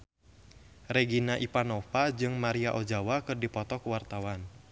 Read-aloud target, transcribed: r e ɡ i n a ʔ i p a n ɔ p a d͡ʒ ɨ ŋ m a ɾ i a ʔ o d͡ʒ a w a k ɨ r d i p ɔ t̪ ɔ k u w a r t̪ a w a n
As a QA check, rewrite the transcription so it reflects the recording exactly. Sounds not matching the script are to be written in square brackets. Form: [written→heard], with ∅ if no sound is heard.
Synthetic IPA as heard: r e ɡ i n a ʔ i p a n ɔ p a d͡ʒ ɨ ŋ m a ɾ i a ʔ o d͡ʒ a w a k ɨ r d i p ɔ t̪ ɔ k u w a r t̪ a w a n